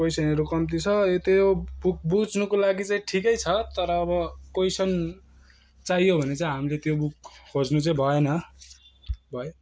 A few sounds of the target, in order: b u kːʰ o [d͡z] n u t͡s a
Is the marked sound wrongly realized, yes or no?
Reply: no